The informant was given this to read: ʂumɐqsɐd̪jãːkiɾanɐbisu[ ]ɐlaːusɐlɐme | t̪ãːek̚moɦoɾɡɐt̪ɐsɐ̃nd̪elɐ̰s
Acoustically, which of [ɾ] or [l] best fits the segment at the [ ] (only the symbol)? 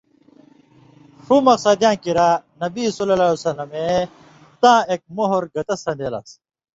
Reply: l